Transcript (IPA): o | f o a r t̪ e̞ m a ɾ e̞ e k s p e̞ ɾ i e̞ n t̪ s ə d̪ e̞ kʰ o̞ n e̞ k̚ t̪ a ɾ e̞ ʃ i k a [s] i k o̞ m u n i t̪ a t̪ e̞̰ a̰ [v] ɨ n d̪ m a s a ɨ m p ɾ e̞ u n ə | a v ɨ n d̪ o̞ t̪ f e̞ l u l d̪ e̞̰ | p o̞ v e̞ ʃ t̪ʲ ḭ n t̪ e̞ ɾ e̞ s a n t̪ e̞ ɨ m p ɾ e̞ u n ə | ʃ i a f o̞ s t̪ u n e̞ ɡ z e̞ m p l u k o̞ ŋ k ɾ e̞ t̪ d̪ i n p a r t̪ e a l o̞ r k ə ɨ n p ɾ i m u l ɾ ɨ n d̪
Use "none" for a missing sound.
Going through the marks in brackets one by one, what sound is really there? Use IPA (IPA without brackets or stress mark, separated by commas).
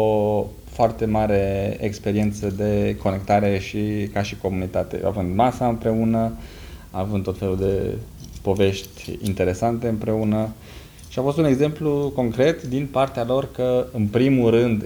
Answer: ʃ, v